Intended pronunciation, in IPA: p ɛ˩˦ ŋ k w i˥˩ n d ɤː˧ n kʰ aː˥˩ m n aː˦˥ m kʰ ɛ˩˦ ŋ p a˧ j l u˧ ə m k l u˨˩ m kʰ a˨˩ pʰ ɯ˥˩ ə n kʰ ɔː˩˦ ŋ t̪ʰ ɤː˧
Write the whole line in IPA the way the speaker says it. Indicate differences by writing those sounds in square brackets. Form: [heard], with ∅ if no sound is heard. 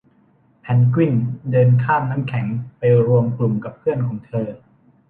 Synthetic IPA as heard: [pʰ] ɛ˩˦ [n] k w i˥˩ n d ɤː˧ n kʰ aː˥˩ m n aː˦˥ m kʰ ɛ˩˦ ŋ p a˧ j [ɾ] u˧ ə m k l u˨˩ m [k] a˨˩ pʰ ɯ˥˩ ə n kʰ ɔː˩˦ ŋ t̪ʰ ɤː˧